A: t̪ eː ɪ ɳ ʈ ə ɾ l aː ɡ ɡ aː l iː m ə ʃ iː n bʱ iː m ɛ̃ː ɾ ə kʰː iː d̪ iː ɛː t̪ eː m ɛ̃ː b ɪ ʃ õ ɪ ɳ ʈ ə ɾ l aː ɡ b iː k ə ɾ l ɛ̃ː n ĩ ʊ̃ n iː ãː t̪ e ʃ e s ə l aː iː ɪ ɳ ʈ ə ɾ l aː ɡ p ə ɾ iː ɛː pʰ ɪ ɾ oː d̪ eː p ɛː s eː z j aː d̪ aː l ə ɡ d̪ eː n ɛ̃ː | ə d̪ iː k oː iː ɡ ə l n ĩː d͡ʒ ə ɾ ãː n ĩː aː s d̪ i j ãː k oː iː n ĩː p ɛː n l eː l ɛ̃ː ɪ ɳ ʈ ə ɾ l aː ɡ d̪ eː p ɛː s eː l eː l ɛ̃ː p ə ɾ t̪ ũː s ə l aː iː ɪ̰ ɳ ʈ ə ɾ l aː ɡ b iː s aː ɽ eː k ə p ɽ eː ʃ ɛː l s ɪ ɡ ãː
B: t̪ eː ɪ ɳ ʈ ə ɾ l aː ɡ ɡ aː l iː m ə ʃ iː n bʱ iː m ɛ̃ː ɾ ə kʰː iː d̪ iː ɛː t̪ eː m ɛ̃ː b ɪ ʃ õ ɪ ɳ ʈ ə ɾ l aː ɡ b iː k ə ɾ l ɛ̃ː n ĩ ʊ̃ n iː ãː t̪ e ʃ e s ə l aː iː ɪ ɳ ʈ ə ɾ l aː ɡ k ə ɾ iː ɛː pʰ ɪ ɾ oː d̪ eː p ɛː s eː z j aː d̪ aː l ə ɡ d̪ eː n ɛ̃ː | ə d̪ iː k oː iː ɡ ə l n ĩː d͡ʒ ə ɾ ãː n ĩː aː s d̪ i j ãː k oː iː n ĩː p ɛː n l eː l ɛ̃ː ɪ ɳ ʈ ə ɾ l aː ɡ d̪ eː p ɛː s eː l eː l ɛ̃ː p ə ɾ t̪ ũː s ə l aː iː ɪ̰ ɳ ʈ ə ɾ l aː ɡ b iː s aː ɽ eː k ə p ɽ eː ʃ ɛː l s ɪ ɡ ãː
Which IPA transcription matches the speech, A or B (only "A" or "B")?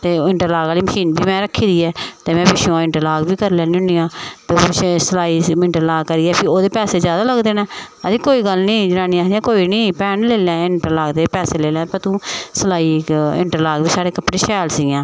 B